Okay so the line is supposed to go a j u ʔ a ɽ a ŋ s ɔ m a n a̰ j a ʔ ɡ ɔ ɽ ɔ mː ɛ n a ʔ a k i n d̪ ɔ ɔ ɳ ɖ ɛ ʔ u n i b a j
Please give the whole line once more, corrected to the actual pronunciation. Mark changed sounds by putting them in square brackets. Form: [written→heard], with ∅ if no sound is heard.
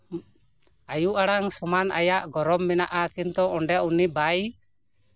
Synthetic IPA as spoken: a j u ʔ a ɽ a ŋ s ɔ m a n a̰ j a ʔ ɡ ɔ [ɽ→ɾ] ɔ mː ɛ n a ʔ a k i n [d̪→t̪] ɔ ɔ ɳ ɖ ɛ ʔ u n i b a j